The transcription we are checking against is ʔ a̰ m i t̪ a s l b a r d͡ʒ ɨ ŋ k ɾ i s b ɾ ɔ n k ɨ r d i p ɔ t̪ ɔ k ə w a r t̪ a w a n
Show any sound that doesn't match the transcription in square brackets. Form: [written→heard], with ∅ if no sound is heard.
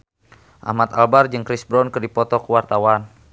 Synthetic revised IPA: ʔ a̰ m [i→a] t̪ a [s→∅] l b a r d͡ʒ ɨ ŋ k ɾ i s b ɾ ɔ n k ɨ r d i p ɔ t̪ ɔ k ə w a r t̪ a w a n